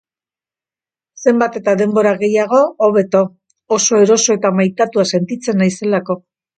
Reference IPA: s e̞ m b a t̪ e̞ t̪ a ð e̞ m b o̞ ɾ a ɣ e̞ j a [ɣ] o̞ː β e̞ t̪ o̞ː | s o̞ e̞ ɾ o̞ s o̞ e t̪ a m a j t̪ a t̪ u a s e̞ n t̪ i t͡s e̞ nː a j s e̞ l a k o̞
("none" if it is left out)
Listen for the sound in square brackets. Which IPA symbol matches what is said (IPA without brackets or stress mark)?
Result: ɣ